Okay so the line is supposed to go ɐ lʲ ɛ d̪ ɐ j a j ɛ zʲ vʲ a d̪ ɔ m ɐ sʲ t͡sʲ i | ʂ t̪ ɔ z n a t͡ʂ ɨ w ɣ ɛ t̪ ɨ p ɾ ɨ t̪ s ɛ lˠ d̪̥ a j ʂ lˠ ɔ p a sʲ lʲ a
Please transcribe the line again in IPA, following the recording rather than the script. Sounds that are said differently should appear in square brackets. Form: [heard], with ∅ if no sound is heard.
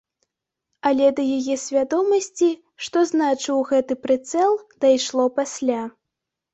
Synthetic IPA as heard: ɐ lʲ ɛ d̪ ɐ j a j ɛ [sʲ] vʲ a d̪ ɔ m ɐ sʲ t͡sʲ i | ʂ t̪ ɔ z n a t͡ʂ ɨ w ɣ ɛ t̪ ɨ p ɾ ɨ t̪ s ɛ lˠ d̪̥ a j ʂ lˠ ɔ p a sʲ lʲ a